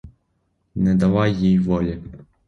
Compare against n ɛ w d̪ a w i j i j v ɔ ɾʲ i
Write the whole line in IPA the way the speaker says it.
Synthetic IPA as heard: n ɛ d̪ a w a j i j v ɔ lʲ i